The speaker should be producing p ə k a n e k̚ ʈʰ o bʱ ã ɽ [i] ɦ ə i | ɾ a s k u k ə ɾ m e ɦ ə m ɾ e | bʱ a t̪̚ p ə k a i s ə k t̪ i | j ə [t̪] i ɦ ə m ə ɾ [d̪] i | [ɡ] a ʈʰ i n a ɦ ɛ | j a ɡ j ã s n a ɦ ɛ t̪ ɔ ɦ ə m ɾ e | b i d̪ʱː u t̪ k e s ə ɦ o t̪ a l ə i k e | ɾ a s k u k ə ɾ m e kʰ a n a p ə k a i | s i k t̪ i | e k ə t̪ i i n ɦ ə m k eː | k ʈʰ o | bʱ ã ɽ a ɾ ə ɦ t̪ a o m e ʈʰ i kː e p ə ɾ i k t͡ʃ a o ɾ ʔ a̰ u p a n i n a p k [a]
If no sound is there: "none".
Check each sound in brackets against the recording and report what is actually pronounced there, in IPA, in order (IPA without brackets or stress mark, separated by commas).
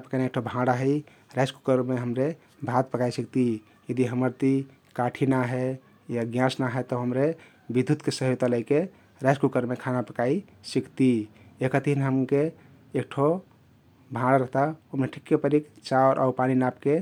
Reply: a, d̪, t̪, k, e